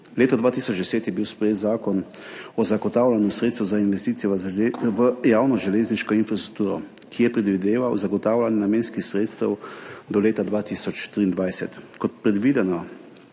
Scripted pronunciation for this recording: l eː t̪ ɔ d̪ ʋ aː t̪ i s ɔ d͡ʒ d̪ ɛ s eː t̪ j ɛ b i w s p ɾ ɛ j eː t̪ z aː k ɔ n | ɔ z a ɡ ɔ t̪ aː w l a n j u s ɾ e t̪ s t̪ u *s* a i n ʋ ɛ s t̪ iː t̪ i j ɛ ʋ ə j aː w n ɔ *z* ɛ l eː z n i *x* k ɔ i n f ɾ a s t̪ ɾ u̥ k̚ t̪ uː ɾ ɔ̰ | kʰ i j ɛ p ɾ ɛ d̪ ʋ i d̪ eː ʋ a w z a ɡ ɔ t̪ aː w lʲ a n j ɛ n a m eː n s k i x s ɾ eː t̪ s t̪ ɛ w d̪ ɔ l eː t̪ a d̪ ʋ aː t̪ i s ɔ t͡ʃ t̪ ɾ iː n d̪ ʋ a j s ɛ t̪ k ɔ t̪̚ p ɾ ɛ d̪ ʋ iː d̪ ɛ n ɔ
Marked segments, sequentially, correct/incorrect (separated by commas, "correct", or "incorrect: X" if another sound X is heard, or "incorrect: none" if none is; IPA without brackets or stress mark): incorrect: z, incorrect: ʒ, incorrect: ʃ